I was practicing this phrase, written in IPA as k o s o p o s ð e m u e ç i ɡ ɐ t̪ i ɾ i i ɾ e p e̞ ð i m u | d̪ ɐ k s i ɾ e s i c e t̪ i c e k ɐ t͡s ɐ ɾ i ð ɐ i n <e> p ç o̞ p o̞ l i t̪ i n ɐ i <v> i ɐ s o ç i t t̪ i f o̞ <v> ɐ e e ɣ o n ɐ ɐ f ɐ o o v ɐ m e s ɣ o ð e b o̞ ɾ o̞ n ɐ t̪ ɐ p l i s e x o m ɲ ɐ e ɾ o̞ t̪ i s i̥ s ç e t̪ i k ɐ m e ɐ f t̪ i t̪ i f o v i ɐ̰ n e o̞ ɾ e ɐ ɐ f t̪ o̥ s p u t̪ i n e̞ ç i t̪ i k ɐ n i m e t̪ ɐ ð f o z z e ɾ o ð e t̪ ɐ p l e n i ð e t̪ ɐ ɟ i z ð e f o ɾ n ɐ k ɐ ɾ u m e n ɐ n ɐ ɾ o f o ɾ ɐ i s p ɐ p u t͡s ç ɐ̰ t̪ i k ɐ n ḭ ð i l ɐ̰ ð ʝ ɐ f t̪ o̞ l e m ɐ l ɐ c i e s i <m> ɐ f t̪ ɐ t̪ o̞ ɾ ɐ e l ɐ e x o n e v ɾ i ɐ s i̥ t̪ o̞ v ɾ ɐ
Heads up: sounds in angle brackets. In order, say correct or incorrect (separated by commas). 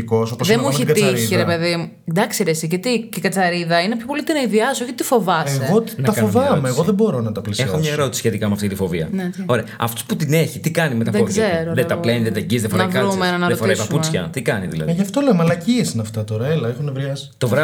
correct, incorrect, correct, incorrect